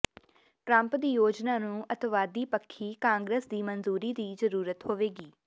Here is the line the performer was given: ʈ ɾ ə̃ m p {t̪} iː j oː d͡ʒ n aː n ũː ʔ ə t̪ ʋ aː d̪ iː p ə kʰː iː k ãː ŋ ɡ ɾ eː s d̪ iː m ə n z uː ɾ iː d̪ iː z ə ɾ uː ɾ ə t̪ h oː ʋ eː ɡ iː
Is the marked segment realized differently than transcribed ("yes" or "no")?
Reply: yes